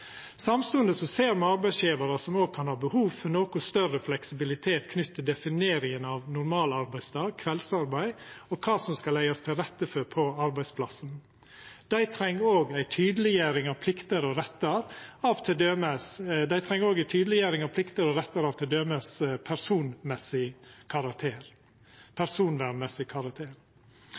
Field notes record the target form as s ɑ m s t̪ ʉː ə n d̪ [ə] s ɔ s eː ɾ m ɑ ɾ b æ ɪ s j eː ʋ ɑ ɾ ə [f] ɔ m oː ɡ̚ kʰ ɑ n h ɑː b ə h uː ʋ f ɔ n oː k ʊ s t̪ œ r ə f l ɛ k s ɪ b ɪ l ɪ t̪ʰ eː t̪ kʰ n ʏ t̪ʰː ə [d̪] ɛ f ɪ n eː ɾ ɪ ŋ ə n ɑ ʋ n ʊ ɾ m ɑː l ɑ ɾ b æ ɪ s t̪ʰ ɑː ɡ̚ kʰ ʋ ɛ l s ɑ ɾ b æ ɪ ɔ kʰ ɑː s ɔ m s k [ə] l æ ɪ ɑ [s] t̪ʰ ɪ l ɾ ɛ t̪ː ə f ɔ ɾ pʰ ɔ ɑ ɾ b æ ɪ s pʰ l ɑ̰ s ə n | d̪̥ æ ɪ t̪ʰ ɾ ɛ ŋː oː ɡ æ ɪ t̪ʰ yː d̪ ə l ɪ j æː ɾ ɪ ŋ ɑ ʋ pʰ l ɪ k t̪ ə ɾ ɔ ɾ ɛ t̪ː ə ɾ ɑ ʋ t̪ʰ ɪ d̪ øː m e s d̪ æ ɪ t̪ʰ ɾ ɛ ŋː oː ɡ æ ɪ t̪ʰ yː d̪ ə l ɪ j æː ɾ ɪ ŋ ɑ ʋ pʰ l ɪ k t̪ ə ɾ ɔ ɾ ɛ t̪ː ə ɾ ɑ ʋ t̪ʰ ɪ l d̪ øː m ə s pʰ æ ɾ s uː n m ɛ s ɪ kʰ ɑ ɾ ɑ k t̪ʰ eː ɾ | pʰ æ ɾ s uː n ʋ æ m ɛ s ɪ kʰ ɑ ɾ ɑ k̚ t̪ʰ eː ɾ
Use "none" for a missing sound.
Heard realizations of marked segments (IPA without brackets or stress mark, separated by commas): ə, s, d̪, ɑ, s